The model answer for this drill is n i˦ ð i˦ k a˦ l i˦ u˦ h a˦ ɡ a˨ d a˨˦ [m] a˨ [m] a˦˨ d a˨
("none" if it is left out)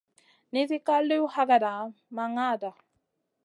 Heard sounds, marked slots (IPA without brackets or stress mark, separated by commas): m, ŋ